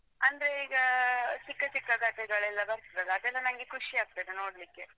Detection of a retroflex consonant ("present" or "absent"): present